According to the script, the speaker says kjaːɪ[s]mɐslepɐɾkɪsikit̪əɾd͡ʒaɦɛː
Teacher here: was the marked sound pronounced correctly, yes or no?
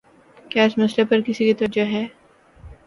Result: yes